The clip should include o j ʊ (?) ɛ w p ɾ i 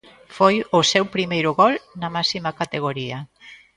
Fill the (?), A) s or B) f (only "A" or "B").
A